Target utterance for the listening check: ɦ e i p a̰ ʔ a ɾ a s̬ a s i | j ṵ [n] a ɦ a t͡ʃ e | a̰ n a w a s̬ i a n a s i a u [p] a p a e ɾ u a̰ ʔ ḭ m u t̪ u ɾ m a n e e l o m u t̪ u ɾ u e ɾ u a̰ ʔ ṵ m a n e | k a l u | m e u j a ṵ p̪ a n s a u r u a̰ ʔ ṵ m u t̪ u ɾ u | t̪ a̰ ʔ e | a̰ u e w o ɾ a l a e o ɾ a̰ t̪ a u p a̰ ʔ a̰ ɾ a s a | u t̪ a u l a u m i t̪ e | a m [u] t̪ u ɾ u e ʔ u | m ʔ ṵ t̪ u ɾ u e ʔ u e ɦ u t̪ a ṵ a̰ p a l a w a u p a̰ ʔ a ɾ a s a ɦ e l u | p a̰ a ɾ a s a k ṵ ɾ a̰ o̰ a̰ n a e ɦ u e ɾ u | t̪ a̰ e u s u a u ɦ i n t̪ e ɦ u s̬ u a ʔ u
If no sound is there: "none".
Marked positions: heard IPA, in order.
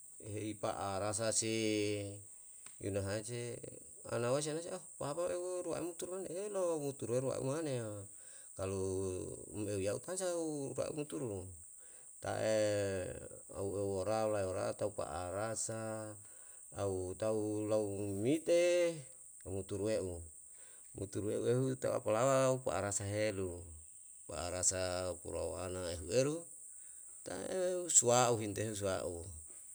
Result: n, p, u

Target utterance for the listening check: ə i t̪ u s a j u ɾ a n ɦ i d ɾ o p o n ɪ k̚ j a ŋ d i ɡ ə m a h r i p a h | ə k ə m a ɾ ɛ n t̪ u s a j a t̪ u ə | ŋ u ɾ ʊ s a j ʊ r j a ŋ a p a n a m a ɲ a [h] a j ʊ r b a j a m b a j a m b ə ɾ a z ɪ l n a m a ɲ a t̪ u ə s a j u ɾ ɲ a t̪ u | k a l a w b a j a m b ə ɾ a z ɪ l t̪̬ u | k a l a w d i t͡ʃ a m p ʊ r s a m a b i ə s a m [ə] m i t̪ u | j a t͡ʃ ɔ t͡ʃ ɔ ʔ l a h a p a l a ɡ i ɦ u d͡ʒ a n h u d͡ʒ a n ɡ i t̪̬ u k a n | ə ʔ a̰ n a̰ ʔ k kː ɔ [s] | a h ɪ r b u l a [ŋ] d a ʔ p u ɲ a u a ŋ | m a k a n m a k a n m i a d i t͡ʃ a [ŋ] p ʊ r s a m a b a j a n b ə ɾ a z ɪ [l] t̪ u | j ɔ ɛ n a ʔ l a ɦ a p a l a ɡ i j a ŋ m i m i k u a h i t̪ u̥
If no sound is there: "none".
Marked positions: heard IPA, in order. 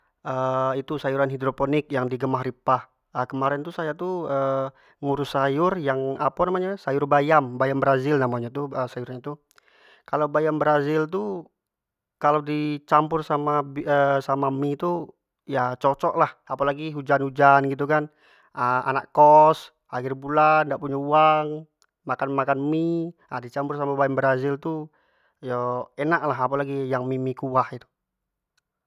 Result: s, a, s, n, m, l

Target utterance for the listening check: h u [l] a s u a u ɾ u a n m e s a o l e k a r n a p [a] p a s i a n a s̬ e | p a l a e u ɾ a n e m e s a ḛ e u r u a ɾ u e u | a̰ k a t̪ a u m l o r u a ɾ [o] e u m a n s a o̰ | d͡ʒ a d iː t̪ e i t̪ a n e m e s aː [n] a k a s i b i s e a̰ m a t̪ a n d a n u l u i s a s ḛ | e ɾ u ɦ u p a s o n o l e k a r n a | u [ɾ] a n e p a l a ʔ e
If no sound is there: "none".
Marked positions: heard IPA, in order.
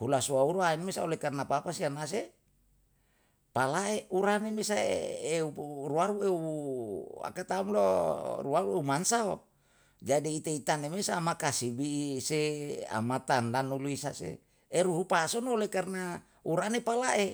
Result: l, a, u, m, ɾ

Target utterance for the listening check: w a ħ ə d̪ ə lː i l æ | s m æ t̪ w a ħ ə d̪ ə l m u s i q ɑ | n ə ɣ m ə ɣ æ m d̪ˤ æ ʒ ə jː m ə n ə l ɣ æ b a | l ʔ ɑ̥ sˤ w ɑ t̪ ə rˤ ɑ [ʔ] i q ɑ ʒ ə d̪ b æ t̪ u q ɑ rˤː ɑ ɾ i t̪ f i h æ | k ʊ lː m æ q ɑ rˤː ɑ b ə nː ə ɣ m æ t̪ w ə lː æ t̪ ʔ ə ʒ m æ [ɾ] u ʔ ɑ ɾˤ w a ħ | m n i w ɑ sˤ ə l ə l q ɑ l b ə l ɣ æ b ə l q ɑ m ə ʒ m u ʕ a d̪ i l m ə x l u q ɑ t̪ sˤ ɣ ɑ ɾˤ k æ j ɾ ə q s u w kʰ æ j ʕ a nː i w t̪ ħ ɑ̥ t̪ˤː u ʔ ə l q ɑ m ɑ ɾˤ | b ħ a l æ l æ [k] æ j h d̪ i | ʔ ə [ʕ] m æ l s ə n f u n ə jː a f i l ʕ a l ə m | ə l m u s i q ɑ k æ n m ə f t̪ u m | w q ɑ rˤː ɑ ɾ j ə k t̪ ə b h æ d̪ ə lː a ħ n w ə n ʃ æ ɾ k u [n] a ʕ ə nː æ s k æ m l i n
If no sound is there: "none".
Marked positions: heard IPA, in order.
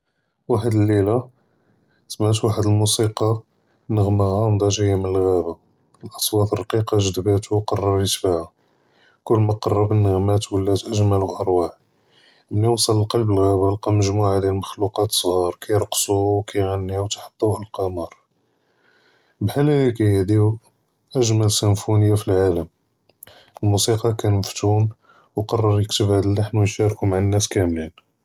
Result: q, l, k, ʒ, m

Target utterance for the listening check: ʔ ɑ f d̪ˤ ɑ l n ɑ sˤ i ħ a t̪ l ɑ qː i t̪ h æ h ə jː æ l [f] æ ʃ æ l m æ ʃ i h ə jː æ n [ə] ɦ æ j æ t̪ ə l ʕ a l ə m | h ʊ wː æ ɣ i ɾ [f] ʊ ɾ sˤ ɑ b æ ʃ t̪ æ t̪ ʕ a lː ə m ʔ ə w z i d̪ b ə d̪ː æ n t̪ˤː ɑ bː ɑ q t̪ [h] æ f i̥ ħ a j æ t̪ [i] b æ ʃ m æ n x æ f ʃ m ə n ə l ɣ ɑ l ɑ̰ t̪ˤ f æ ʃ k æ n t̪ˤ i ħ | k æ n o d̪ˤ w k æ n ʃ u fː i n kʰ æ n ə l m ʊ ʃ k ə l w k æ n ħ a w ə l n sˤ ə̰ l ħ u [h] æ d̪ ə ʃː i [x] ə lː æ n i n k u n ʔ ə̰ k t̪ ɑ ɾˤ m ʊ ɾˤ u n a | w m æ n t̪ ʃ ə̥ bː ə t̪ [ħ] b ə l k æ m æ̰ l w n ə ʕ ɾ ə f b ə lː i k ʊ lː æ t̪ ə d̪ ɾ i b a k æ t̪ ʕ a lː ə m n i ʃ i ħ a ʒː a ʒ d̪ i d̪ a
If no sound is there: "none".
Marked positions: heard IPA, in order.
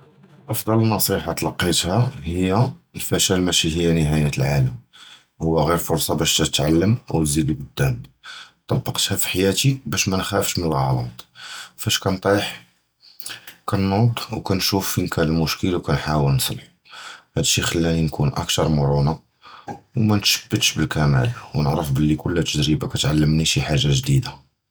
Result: f, ə, f, h, i, h, x, ʃ

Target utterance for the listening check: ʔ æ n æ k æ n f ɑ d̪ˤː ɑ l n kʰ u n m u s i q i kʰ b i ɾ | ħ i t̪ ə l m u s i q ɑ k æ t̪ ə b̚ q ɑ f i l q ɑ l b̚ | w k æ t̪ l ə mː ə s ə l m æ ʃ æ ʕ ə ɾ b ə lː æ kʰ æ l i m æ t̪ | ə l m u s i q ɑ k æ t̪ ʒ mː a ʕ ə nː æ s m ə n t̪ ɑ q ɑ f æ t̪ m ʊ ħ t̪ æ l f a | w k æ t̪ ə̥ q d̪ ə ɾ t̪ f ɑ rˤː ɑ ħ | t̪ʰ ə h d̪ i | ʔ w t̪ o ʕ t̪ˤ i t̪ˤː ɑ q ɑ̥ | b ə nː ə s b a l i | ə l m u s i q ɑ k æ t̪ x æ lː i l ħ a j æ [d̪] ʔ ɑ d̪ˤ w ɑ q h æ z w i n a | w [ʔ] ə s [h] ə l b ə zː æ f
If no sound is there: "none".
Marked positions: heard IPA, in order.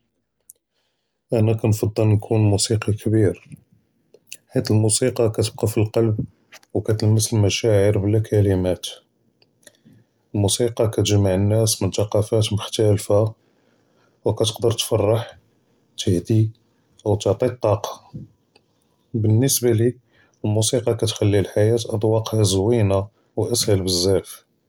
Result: t̪, ʔ, h

